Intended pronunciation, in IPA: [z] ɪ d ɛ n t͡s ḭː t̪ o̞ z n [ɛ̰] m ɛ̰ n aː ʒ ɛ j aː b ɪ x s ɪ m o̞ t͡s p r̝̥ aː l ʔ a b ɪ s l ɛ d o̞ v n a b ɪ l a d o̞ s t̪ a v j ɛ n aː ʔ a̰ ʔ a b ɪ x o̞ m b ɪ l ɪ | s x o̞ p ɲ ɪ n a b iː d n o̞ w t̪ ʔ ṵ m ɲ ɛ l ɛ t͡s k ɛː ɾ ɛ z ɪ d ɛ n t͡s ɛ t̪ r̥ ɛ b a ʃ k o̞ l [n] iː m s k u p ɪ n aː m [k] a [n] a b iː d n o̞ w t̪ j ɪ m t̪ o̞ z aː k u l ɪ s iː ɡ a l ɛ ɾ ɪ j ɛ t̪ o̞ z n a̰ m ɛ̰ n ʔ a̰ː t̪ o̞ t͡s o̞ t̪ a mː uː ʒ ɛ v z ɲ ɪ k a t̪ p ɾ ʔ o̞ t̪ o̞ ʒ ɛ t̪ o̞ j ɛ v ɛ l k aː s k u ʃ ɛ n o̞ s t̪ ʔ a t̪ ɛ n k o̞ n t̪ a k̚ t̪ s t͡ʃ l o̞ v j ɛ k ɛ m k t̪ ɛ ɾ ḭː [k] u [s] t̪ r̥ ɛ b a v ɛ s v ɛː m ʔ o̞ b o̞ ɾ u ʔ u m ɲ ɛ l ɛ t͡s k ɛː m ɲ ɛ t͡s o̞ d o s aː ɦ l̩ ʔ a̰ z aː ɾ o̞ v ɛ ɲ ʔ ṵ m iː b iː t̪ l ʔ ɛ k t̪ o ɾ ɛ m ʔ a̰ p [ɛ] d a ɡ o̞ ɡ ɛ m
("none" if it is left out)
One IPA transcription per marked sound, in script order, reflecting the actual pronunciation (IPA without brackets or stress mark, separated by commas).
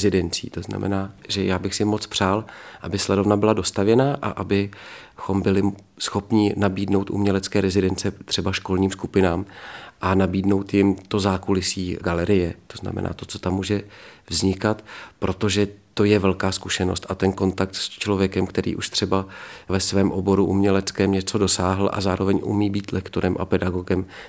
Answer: z, a̰, ɲ, ʔ, n, ʔ, ʃ, ɛ